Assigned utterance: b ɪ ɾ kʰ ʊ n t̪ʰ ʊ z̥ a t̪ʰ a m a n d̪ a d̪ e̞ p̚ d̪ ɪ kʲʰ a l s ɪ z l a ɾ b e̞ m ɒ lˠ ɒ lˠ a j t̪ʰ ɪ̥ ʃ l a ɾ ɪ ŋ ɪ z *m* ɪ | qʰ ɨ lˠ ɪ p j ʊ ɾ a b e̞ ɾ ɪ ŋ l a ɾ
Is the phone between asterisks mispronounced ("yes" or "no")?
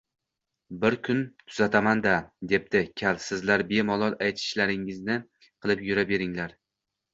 yes